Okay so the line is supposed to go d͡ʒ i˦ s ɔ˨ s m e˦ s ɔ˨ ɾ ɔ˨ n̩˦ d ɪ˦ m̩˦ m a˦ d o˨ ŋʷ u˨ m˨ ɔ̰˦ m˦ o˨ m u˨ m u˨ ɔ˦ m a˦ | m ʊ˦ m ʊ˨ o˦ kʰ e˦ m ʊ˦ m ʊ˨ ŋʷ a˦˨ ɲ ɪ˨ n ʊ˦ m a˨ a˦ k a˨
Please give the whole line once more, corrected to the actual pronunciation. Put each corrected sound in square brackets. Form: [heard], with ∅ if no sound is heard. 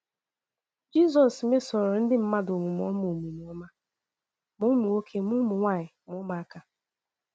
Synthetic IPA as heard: d͡ʒ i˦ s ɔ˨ s m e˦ s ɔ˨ ɾ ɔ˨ n̩˦ d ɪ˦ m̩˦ m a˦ d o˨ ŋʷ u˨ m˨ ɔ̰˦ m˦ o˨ m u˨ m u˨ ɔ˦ m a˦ | m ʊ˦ m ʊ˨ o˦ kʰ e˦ m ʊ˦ m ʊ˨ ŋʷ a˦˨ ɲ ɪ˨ [m] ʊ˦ m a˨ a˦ k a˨